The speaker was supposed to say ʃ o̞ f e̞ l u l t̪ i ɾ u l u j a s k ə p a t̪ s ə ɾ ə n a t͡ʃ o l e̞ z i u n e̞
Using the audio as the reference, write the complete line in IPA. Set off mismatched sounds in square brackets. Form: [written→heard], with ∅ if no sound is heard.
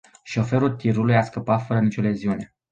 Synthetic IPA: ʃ o̞ f e̞ [l→ɾ] u l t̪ i ɾ u l u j a s k ə p a t̪ [s→f] ə ɾ ə n [a→i] t͡ʃ o l e̞ z i u n e̞